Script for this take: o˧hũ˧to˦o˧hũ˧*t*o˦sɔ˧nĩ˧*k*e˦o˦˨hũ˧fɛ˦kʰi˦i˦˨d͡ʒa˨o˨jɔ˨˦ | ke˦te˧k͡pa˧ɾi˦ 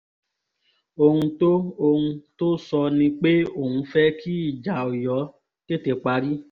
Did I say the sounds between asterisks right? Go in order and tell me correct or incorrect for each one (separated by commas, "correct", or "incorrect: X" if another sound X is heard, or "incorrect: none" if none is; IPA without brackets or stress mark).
correct, incorrect: k͡p